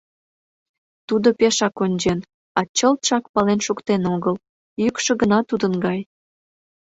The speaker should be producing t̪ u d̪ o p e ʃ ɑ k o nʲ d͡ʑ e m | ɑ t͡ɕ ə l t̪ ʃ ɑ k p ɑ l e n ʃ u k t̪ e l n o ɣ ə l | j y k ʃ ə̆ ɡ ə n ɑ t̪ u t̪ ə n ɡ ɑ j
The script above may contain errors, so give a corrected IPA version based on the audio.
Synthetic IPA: t̪ u d̪ o p e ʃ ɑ k o nʲ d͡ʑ e n | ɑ t͡ɕ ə l t̪ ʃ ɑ k p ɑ l e n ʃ u k t̪ e n o ɣ ə l | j y k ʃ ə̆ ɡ ə n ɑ t̪ u d̪ ə n ɡ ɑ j